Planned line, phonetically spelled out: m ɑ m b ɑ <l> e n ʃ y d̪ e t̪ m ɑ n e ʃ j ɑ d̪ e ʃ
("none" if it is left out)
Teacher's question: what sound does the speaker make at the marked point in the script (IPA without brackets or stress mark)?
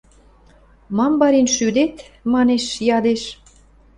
ɾ